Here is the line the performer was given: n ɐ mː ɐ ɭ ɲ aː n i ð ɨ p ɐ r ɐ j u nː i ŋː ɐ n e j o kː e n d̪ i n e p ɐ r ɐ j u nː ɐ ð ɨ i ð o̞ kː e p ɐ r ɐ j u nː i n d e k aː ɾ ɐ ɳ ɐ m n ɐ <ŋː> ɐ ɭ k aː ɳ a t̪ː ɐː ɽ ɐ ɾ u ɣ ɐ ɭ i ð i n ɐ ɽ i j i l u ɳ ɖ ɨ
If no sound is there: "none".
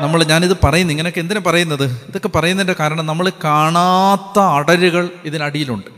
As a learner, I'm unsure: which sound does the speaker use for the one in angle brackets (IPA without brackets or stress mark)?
mː